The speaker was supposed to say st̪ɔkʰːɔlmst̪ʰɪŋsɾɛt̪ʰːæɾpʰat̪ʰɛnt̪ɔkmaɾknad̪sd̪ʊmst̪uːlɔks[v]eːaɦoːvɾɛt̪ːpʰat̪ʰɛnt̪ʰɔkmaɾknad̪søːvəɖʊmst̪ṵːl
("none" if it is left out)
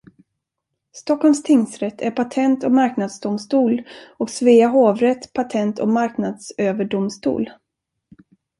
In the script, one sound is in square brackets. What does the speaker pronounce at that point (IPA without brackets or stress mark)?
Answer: v